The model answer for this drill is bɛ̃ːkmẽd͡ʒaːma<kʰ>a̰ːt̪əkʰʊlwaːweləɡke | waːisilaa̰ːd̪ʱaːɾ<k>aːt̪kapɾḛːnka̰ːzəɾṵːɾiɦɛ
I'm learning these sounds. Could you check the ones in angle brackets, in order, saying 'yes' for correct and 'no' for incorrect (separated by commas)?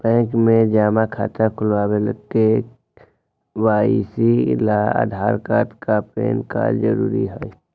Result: yes, yes